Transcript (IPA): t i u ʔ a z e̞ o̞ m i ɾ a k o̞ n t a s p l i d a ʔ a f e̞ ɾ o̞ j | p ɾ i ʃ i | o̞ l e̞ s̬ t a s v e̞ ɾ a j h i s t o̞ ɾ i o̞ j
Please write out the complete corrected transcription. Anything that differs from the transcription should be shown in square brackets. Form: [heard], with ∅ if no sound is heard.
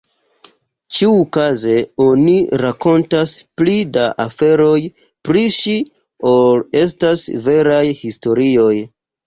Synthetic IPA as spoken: [t͡ʃ] i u [k] a z e̞ o̞ [n] i ɾ a k o̞ n t a s p l i d a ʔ a f e̞ ɾ o̞ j | p ɾ i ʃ i | o̞ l e̞ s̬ t a s v e̞ ɾ a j h i s t o̞ ɾ i o̞ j